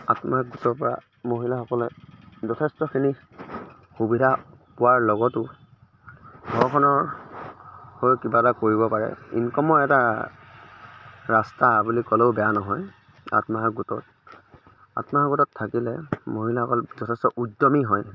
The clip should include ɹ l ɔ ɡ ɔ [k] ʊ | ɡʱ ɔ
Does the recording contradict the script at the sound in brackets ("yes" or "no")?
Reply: yes